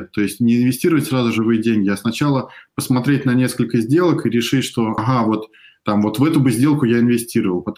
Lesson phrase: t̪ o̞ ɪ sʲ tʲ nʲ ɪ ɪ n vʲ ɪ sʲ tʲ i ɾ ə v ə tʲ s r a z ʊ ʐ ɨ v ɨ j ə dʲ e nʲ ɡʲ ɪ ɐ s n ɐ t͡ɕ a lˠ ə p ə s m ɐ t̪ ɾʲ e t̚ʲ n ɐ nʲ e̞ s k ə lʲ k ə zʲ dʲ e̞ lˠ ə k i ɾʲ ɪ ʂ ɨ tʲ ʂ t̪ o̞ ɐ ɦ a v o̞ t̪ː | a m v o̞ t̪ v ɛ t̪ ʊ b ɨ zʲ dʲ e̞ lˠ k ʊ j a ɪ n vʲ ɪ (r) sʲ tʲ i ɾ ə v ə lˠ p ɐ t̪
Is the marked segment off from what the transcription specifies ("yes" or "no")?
yes